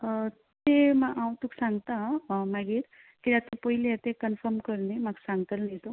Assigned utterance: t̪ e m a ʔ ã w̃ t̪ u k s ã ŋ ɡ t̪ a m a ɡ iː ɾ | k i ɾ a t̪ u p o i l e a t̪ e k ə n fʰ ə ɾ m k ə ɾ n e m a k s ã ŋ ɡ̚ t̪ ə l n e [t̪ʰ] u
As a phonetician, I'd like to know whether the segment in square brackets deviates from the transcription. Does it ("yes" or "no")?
yes